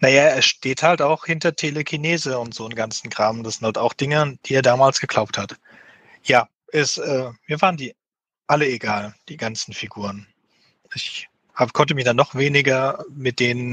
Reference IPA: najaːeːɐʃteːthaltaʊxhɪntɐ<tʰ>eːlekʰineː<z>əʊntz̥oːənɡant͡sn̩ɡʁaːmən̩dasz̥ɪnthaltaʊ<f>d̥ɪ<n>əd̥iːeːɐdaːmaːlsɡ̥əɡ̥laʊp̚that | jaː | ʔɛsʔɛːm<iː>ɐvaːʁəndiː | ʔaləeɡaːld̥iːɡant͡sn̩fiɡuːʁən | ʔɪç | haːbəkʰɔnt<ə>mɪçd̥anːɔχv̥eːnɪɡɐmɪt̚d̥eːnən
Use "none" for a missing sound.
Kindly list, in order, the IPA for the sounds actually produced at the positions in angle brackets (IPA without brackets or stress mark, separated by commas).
tʰ, z, x, ŋ, iː, ə